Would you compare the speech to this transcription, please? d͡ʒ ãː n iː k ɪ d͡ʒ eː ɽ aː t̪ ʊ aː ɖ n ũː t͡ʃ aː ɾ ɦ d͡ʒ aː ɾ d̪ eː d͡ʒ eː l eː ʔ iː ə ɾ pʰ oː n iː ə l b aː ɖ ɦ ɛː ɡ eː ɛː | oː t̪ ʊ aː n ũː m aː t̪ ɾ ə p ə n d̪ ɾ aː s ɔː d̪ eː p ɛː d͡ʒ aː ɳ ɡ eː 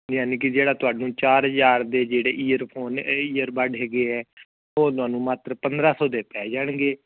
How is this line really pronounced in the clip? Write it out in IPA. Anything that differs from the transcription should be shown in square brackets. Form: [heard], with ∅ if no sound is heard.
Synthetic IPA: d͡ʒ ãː n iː k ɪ d͡ʒ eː ɽ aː t̪ ʊ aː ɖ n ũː t͡ʃ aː ɾ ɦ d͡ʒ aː ɾ d̪ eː d͡ʒ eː [ɽ] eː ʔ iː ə ɾ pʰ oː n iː ə [ɾ] b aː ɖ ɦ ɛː ɡ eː ɛː | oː t̪ ʊ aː n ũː m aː t̪ ɾ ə p ə n d̪ ɾ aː s ɔː d̪ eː p ɛː d͡ʒ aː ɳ ɡ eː

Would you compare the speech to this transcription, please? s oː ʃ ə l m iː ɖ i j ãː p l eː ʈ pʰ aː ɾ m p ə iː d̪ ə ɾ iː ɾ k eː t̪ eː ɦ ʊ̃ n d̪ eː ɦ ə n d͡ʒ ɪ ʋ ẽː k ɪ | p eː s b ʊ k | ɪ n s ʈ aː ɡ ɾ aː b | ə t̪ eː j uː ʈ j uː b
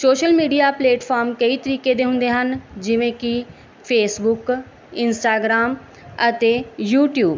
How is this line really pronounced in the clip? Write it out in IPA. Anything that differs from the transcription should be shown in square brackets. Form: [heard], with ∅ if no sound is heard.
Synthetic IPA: s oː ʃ ə l m iː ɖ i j [aː] p l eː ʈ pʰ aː ɾ m [k] ə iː [t̪] ə ɾ iː [∅] k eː [d̪] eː ɦ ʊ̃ n d̪ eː ɦ ə n d͡ʒ ɪ ʋ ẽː k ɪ | [pʰ] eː s b ʊ k | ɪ n s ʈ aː ɡ ɾ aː [m] | ə t̪ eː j uː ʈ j uː b

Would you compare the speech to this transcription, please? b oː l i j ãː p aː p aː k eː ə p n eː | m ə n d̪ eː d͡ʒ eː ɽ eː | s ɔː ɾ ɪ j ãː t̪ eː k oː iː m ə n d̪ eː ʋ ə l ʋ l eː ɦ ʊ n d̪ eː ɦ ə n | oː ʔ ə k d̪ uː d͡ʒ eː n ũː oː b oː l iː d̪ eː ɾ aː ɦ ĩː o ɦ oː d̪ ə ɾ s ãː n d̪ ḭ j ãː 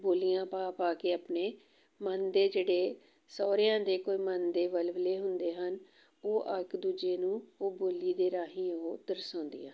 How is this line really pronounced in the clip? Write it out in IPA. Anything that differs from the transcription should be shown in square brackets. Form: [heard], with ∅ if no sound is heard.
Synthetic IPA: b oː l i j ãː p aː p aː k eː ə p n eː | m ə n d̪ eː d͡ʒ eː ɽ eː | s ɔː ɾ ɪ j ãː [d̪] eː k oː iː m ə n d̪ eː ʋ ə l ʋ l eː ɦ ʊ n d̪ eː ɦ ə n | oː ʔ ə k d̪ uː d͡ʒ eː n ũː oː b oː l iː d̪ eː ɾ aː ɦ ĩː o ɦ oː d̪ ə ɾ s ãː n d̪ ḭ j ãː

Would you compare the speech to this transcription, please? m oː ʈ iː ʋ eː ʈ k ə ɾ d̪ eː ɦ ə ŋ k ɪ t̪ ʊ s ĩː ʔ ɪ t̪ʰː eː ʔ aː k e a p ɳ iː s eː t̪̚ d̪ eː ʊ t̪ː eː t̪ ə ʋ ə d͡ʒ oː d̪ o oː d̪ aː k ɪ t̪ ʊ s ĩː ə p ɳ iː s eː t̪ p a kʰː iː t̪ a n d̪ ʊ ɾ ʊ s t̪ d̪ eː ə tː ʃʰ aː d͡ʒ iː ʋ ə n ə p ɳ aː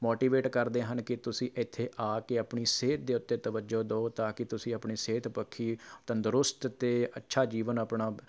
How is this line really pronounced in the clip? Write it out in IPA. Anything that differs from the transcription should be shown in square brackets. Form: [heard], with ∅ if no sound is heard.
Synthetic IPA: m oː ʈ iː ʋ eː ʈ k ə ɾ d̪ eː ɦ ə [n] k ɪ t̪ ʊ s ĩː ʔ ɪ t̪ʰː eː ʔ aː k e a p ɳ iː s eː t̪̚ d̪ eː ʊ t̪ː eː t̪ ə ʋ ə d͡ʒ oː d̪ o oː [t̪] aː k ɪ t̪ ʊ s ĩː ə p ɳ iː s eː t̪ p [ə] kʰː iː t̪ [ə] n d̪ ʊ ɾ ʊ s t̪ [t̪] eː ə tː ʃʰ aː d͡ʒ iː ʋ ə n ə p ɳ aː

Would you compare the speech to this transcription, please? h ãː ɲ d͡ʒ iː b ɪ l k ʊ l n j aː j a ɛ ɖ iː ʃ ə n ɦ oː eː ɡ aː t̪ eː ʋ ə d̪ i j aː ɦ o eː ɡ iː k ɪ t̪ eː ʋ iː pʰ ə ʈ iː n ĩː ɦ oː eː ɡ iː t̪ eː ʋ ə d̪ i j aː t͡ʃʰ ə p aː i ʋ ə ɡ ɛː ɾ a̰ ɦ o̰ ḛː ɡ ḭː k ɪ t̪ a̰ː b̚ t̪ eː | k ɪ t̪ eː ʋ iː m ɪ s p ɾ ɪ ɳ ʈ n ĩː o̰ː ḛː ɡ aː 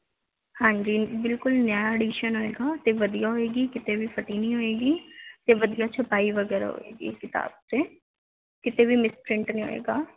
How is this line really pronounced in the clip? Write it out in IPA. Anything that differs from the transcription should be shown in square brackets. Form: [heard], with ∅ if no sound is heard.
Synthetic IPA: h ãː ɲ d͡ʒ iː b ɪ l k ʊ l n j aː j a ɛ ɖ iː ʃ ə n ɦ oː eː ɡ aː t̪ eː ʋ ə d̪ i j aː ɦ o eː ɡ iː k ɪ t̪ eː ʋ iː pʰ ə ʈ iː n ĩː ɦ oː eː ɡ iː t̪ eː ʋ ə d̪ i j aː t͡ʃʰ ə p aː i ʋ ə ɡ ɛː ɾ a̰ ɦ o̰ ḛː ɡ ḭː k ɪ t̪ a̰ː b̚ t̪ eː | k ɪ t̪ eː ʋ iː m ɪ s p ɾ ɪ ɳ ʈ n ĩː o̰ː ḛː ɡ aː

